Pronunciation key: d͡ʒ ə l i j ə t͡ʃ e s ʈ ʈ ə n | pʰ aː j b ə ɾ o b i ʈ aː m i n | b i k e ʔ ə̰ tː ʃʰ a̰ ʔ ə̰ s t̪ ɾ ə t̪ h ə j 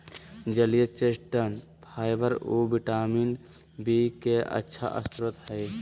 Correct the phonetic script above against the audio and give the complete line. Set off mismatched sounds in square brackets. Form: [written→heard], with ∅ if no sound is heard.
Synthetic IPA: d͡ʒ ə l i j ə t͡ʃ e s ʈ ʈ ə n | pʰ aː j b ə ɾ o b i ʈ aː m i n | b i k e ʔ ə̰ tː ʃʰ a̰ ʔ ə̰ s t̪ ɾ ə t̪ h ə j